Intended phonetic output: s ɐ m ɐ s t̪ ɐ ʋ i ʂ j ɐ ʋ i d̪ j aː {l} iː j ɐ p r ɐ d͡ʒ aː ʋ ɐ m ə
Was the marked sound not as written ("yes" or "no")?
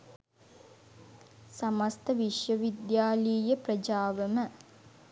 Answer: no